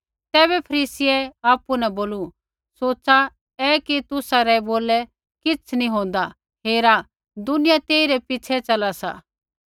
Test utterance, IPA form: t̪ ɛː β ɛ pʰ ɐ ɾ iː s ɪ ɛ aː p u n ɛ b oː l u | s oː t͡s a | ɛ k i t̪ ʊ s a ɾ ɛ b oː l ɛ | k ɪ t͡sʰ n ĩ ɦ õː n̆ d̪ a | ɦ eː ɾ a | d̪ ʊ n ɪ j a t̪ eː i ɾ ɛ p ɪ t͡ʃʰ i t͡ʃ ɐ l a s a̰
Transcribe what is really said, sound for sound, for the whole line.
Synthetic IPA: t̪ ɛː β ɛ pʰ ɐ ɾ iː s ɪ ɛ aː p u n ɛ b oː l u | s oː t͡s a | ɛ k i t̪ ʊ s a ɾ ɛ b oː l ɛ | k ɪ t͡sʰ n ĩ ɦ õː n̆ d̪ a | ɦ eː ɾ a | d̪ ʊ n ɪ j a t̪ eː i ɾ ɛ p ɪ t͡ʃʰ ɛ t͡ʃ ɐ l a s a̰